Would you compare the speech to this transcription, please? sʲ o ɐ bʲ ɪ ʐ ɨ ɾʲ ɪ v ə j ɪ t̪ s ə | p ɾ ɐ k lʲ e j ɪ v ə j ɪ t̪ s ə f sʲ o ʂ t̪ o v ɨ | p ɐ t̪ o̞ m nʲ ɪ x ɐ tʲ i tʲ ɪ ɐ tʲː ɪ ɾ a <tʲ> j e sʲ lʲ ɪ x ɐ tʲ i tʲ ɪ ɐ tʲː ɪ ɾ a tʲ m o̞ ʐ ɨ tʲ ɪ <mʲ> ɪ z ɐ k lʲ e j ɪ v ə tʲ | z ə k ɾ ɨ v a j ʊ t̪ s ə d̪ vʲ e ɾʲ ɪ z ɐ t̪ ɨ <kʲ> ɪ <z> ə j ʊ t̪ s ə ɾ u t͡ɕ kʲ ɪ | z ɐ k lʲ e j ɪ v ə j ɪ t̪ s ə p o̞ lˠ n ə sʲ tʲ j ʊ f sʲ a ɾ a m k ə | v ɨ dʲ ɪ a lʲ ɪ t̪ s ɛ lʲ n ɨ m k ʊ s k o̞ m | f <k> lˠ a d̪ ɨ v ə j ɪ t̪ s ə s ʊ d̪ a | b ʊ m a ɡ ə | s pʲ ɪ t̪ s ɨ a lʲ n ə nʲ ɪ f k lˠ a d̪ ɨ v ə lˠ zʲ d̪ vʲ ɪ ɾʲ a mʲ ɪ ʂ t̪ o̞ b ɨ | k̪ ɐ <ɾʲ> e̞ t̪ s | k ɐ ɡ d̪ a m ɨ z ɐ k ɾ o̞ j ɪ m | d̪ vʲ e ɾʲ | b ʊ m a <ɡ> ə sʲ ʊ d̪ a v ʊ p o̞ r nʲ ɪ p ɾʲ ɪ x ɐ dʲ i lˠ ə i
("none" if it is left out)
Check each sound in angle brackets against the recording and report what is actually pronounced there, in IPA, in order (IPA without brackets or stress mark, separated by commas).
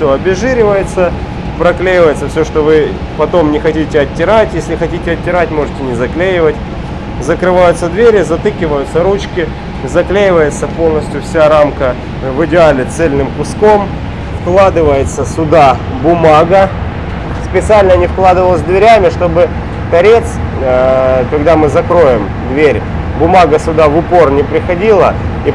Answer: tʲ, nʲ, kʲ, v, k, ɾʲ, ɡ